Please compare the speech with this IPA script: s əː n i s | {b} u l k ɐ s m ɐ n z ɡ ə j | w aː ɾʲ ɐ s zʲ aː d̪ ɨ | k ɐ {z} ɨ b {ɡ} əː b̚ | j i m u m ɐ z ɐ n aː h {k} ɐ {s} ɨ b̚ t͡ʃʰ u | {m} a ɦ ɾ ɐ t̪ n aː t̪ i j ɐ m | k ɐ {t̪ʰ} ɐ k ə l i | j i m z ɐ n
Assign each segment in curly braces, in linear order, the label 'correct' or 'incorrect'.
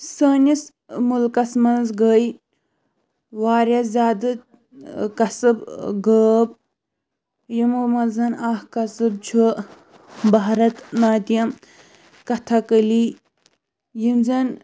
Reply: incorrect: m, incorrect: s, correct, correct, correct, incorrect: b, correct

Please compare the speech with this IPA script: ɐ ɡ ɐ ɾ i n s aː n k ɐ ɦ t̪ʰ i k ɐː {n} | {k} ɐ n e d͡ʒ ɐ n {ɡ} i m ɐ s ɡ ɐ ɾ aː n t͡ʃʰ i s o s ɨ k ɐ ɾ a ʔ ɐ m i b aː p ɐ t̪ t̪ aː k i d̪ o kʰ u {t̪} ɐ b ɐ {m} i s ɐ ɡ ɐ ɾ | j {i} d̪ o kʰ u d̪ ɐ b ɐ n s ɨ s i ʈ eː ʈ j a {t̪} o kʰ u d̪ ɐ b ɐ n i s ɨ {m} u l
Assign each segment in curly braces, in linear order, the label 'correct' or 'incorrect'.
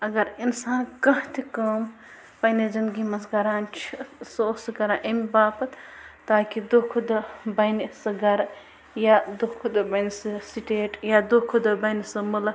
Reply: incorrect: m, incorrect: p, correct, incorrect: d̪, incorrect: n, incorrect: a, incorrect: d̪, correct

